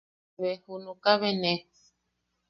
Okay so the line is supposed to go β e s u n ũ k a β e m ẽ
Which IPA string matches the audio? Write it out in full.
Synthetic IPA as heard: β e h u n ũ k a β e n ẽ

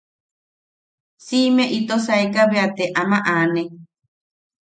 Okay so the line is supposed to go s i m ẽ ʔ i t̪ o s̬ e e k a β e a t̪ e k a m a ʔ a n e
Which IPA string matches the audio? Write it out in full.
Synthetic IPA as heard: s i m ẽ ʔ i t̪ o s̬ a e k a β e a t̪ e ʔ a m a ʔ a n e

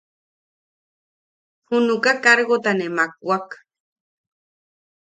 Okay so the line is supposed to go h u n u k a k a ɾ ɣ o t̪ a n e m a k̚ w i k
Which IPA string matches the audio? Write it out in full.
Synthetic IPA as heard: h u n u k a k a ɾ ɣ o t̪ a n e m a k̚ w a k

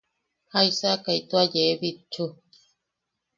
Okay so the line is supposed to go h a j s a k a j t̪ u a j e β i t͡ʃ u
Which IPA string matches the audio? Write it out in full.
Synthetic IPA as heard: h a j s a k a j t̪ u a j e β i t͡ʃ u

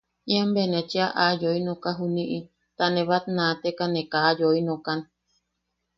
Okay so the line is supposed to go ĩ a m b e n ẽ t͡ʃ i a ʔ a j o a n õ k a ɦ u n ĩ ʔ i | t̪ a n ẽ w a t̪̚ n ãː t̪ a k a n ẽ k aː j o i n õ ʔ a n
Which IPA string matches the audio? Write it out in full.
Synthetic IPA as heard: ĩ a m b e n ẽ t͡ʃ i a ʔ a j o i n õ k a ɦ u n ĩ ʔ i | t̪ a n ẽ β a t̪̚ n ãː t̪ e k a n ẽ k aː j o i n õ k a n

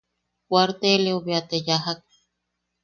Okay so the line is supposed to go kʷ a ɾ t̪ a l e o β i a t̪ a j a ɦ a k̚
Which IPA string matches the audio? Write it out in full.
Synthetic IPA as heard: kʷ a ɾ t̪ e l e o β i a t̪ e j a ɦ a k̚

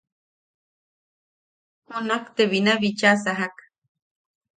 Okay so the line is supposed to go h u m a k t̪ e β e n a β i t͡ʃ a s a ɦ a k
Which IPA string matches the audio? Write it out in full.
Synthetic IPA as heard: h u n a k t̪ e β i n a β i t͡ʃ a s a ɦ a k

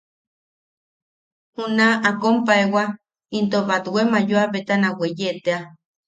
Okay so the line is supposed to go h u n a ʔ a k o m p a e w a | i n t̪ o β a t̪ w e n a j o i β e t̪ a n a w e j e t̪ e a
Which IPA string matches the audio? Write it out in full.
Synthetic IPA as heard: h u n a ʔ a k o m p a e w a | i n t̪ o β a t̪ w e m a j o a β e t̪ a n a w e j e t̪ e a

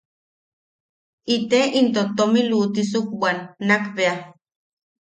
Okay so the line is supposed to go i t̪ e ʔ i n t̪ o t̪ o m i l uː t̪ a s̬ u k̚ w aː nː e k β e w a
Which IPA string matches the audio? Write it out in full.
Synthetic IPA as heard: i t̪ e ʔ i n t̪ o t̪ o m i l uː t̪ i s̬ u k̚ w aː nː a k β e a

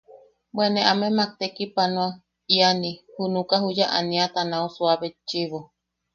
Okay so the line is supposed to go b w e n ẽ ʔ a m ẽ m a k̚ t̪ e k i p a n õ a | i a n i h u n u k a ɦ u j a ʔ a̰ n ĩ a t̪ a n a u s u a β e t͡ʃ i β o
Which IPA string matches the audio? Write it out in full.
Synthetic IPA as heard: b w e n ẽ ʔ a m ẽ m a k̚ t̪ e k i p a n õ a | i a n i h u n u k a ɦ u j a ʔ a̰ n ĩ a t̪ a n a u s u a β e t͡ʃ i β o

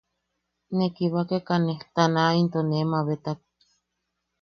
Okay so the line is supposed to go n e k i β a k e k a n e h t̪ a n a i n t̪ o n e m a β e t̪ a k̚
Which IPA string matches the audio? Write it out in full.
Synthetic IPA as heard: n e k i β a k e k a n e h t̪ a n a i n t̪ o n e m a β e t̪ a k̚

